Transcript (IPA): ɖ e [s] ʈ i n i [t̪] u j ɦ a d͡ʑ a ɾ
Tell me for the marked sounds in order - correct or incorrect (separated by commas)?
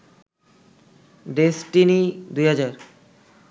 correct, incorrect